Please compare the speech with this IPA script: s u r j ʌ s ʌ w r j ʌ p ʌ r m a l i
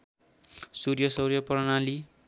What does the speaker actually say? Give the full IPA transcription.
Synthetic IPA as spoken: s u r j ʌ s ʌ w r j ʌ p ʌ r n a l i